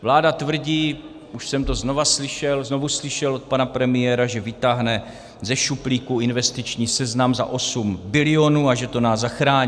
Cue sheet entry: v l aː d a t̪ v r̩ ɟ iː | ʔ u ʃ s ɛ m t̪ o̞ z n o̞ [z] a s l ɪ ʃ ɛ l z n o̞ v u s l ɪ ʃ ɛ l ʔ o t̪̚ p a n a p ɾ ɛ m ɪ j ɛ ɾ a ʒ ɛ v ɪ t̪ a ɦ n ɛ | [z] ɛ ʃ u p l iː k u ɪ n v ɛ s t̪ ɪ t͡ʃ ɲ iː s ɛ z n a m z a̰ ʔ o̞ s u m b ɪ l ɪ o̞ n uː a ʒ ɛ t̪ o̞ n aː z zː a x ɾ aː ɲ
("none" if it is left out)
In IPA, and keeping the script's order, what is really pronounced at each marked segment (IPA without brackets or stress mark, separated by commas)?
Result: v, z